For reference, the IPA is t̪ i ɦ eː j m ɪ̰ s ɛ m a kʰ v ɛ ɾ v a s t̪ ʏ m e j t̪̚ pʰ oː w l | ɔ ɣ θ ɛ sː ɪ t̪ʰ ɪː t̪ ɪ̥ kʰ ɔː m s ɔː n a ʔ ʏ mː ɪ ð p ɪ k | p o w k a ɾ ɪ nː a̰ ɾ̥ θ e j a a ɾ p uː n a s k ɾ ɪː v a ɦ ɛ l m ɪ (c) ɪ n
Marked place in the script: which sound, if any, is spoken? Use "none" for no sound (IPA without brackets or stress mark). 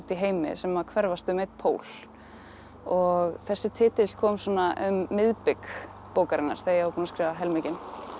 c